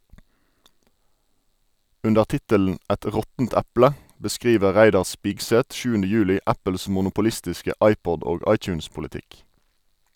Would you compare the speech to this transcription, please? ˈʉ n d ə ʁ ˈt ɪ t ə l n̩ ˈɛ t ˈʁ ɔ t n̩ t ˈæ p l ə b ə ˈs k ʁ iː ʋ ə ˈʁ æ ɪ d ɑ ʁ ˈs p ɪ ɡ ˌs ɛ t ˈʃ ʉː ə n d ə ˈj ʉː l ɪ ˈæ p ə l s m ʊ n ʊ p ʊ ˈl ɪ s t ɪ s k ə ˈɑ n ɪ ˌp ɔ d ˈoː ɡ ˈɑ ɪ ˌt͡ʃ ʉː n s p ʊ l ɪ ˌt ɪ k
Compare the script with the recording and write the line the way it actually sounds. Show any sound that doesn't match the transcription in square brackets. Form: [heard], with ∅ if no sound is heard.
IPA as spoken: ˈʉ n d ə ʁ ˈt ɪ t ə l n̩ ˈɛ t ˈʁ ɔ t n̩ t ˈæ p l ə b ə ˈs k ʁ iː ʋ ə ˈʁ æ ɪ d ɑ ʁ ˈs p ɪ ɡ ˌs ɛ t ˈʃ ʉː ə n d ə ˈj ʉː l ɪ ˈæ p ə l s m ʊ n ʊ p ʊ ˈl ɪ s t ɪ s k ə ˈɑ [∅] ɪ ˌp ɔ d ˈoː ɡ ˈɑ ɪ ˌt͡ʃ ʉː n s p ʊ l ɪ ˌt ɪ k